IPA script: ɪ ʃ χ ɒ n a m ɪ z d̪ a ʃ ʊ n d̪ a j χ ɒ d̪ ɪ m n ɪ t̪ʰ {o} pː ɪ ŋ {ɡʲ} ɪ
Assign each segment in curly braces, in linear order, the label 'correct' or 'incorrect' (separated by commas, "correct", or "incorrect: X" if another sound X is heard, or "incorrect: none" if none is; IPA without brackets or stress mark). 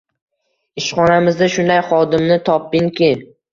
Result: incorrect: ɒ, incorrect: kʲ